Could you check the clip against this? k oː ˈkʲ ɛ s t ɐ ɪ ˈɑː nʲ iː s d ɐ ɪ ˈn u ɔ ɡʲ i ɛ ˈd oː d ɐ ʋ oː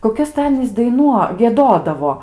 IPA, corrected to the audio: k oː ˈkʲ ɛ s t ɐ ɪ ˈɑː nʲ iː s d ɐ ɪ ˈn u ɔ ɡʲ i ɛ ˈd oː d ɐ ʋ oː